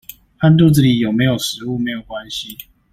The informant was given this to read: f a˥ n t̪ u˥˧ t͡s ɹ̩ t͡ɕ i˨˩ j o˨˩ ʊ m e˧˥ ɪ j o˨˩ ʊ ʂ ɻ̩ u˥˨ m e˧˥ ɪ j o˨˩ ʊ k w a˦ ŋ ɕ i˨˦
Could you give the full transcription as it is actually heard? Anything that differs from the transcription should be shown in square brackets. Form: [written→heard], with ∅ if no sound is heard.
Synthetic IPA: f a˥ n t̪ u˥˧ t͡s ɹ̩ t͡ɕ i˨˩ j o˨˩ ʊ m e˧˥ ɪ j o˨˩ ʊ ʂ ɻ̩ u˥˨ m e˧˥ ɪ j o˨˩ ʊ k w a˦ [ŋ→n] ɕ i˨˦